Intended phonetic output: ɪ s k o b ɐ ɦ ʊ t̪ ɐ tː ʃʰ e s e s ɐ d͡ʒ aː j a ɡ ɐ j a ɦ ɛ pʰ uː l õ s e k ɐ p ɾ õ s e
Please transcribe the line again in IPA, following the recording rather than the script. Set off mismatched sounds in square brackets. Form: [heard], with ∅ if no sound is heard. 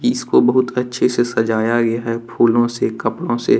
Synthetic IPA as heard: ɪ s k o b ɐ ɦ ʊ t̪ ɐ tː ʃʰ e s e s ɐ d͡ʒ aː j a ɡ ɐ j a ɦ ɛ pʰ uː l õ s e k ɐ p [ɽ] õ s e

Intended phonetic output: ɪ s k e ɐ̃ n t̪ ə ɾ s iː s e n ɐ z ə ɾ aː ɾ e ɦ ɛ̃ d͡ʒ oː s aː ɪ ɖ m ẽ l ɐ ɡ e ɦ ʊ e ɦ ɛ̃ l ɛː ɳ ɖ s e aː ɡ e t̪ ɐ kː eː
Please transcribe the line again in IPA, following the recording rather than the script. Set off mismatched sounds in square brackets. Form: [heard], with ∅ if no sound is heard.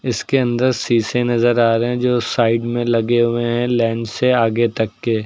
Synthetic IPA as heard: ɪ s k e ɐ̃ n [d̪] ə ɾ s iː s e n ɐ z ə ɾ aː ɾ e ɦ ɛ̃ d͡ʒ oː s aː ɪ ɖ m ẽ l ɐ ɡ e ɦ ʊ e ɦ ɛ̃ l ɛː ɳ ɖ s e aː ɡ e t̪ ɐ kː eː

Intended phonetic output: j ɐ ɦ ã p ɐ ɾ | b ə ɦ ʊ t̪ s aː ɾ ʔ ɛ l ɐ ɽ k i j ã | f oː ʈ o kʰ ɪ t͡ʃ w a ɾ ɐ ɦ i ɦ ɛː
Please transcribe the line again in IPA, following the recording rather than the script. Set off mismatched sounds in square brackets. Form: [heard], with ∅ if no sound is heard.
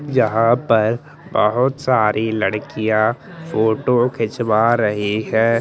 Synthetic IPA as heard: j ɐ ɦ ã p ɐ ɾ | b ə ɦ ʊ t̪ s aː ɾ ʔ [i] l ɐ ɽ k i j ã | f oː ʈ o kʰ ɪ t͡ʃ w a ɾ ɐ ɦ i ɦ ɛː

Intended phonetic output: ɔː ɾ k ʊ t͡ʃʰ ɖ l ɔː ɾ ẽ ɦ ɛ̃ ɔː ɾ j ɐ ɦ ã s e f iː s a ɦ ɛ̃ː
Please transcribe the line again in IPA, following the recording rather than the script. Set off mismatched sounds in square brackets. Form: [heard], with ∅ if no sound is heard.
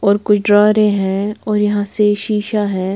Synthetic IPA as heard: ɔː ɾ k ʊ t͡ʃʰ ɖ [ɾ] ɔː ɾ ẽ ɦ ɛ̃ ɔː ɾ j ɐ ɦ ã s e [ʃ] iː [ʃ] a ɦ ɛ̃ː

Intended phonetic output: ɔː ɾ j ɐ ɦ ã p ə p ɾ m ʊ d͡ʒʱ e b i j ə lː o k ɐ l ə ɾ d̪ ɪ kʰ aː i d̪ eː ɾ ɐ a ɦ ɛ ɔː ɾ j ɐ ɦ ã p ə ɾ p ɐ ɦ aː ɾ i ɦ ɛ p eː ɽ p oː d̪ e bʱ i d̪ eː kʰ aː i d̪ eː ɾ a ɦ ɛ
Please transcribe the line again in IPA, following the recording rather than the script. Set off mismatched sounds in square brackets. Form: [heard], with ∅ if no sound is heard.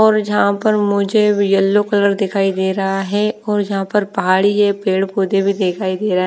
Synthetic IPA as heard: ɔː ɾ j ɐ ɦ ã p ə [∅] ɾ m ʊ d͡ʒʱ e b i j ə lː o k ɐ l ə ɾ d̪ ɪ kʰ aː i d̪ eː ɾ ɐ a ɦ ɛ ɔː ɾ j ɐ ɦ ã p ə ɾ p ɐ ɦ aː [ɽ] i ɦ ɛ p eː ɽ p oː d̪ e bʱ i d̪ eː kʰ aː i d̪ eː ɾ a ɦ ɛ

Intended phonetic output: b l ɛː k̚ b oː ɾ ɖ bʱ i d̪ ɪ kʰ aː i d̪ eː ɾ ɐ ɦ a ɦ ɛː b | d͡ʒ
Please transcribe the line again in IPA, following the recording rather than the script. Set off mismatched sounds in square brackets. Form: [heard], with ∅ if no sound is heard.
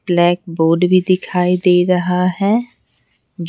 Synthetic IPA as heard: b l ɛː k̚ b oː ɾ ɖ bʱ i d̪ ɪ kʰ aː i d̪ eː ɾ ɐ ɦ a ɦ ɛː [∅] | d͡ʒ

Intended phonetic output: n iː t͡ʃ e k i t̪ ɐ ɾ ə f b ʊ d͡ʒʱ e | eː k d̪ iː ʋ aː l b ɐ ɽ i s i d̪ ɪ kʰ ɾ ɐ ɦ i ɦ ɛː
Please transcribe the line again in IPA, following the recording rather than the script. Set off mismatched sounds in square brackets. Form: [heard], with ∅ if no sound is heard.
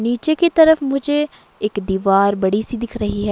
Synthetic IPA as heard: n iː t͡ʃ e k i t̪ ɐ ɾ ə f [m] ʊ d͡ʒʱ e | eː k d̪ iː ʋ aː [ɾ] b ɐ ɽ i s i d̪ ɪ kʰ ɾ ɐ ɦ i ɦ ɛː

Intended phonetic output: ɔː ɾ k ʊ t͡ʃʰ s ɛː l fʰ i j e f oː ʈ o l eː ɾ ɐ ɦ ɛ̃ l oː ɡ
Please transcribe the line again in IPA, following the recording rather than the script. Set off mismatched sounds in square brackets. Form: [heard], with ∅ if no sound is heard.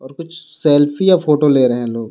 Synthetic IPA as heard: ɔː ɾ k ʊ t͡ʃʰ s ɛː l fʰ i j [a] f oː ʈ o l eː ɾ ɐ ɦ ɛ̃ l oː ɡ

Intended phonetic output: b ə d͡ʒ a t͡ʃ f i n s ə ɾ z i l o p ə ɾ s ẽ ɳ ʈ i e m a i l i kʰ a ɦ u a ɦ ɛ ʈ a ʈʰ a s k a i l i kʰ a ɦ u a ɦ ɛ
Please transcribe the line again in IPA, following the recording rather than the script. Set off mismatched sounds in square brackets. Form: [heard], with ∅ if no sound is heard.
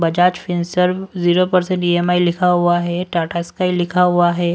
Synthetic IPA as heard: b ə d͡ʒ a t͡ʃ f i n s ə ɾ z i [ɾ] o p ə ɾ s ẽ ɳ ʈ i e m a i l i kʰ a ɦ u a ɦ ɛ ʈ a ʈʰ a s k a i l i kʰ a ɦ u a ɦ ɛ

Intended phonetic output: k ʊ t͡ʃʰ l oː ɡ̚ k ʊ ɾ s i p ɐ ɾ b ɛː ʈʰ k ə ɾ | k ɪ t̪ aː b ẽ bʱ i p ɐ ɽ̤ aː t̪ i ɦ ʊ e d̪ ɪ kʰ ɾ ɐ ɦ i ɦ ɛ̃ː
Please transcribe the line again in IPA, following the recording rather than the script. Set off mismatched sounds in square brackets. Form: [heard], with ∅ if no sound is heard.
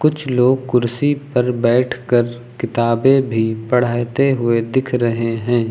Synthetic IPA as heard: k ʊ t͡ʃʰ l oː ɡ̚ k ʊ ɾ s i p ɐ ɾ b ɛː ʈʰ k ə ɾ | k ɪ t̪ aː b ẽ bʱ i p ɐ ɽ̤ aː t̪ [e] ɦ ʊ e d̪ ɪ kʰ ɾ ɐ ɦ [e] ɦ ɛ̃ː

